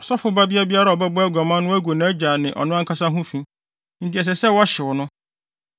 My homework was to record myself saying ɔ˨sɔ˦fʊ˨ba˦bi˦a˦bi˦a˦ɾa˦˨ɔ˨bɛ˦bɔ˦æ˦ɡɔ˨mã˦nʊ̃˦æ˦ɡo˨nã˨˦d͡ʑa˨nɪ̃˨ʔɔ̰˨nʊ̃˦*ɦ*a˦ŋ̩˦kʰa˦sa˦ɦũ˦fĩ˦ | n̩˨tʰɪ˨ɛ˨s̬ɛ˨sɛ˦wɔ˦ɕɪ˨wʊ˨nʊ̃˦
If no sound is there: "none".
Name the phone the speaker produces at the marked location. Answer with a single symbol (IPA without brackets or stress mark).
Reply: none